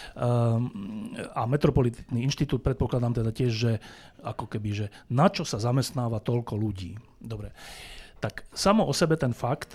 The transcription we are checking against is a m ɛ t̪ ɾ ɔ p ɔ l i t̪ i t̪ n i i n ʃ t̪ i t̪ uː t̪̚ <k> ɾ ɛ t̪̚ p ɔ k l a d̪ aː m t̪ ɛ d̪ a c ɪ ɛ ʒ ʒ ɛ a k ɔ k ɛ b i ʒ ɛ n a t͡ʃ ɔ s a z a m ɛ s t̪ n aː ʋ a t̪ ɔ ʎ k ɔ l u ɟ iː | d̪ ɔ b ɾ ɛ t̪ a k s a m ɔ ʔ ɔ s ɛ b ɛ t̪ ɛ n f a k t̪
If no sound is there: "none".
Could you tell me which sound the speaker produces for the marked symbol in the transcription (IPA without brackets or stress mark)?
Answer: p